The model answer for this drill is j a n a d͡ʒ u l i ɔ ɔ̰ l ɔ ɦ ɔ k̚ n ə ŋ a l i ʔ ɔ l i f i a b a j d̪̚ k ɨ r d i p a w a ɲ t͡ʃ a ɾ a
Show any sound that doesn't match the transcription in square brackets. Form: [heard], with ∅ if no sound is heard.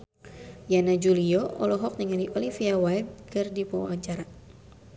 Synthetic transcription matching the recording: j a n a d͡ʒ u l i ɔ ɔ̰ l ɔ ɦ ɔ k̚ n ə ŋ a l i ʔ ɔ l i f i a [w] a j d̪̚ k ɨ r d i p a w a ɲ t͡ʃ a ɾ a